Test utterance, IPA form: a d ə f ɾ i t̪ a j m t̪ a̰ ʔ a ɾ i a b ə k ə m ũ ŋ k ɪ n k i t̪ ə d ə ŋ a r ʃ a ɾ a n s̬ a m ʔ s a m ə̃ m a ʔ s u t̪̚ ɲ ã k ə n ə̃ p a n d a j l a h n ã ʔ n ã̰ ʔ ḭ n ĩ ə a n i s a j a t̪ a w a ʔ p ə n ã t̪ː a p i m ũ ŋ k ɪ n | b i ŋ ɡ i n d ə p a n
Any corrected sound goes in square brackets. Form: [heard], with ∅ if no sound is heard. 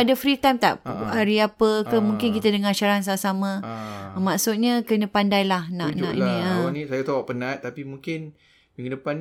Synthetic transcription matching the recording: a d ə f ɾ i t̪ a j m t̪ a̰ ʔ a ɾ i a [p] ə k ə m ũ ŋ k ɪ n k i t̪ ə d ə ŋ a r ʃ a ɾ a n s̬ a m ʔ s a m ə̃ m a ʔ s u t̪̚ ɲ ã k ə n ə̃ p a n d a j l a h n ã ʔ n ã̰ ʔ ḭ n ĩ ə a n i s a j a t̪ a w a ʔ p ə n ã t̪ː a p i m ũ ŋ k ɪ n | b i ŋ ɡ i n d ə p a n